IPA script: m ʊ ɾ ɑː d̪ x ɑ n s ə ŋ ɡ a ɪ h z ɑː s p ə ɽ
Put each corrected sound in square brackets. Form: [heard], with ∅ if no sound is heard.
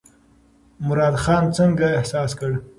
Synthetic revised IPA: m ʊ ɾ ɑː d̪ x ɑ n [t͡s] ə ŋ ɡ a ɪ h [s] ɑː s [k] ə ɽ